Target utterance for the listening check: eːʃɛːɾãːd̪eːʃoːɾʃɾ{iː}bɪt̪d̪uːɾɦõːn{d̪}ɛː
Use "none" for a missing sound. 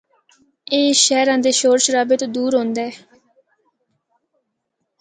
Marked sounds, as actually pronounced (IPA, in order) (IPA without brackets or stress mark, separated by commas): aː, d̪